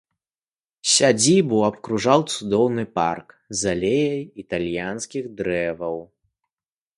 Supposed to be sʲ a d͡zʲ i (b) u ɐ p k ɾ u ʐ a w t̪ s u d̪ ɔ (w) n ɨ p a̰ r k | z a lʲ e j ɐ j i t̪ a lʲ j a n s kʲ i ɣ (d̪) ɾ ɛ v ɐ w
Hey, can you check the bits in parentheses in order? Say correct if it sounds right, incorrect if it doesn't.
correct, correct, correct

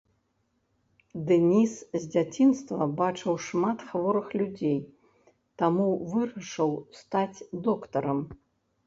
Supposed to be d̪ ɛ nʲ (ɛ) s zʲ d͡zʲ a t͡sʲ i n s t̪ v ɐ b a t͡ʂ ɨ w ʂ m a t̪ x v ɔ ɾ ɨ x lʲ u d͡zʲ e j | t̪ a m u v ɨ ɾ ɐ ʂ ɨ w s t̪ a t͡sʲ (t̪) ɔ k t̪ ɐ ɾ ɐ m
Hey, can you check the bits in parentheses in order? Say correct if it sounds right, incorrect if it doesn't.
incorrect: i, incorrect: d̪

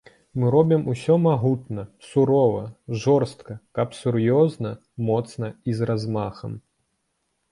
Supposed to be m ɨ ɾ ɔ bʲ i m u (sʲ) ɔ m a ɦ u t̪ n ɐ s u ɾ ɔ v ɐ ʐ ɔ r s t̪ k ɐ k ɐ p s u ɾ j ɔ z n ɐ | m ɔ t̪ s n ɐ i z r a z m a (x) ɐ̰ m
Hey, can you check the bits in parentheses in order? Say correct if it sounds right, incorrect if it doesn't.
correct, correct

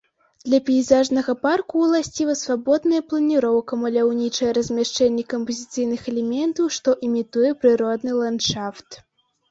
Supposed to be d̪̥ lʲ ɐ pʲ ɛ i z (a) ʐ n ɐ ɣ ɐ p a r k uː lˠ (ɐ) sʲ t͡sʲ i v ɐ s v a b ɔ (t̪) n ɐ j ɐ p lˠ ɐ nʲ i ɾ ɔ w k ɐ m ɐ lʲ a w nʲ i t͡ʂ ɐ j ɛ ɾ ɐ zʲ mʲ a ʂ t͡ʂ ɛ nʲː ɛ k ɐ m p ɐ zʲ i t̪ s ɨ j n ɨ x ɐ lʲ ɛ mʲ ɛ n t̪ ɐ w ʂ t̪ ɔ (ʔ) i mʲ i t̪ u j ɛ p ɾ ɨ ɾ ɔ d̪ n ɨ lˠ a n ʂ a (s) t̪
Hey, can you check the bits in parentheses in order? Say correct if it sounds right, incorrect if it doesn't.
correct, incorrect: a, incorrect: d̪, correct, incorrect: f

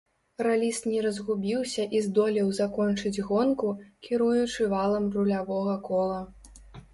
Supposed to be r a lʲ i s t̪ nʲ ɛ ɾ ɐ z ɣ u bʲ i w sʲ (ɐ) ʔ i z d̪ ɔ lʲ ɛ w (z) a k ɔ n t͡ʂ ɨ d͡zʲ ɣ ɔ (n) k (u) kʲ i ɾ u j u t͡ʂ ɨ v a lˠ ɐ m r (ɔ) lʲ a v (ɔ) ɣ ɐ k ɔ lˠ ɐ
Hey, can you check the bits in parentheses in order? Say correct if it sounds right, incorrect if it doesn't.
correct, correct, correct, correct, incorrect: u, correct

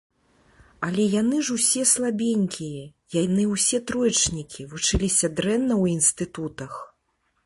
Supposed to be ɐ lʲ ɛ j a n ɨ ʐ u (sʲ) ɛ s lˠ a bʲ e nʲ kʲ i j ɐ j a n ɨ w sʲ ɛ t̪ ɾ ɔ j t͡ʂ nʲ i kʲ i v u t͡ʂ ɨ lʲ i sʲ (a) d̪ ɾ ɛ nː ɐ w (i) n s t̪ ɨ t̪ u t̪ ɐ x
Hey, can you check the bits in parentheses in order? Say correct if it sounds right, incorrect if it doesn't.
correct, incorrect: ɐ, correct

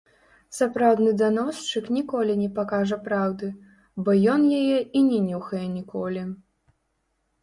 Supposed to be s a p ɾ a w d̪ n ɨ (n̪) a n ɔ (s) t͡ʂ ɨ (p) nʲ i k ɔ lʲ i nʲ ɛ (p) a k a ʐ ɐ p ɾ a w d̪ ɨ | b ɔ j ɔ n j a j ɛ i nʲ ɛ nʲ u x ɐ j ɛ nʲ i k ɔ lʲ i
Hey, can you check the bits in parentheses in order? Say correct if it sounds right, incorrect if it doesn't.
incorrect: d̪, correct, incorrect: k, correct

